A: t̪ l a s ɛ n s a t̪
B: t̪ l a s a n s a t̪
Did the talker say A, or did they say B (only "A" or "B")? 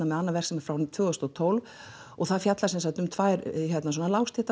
A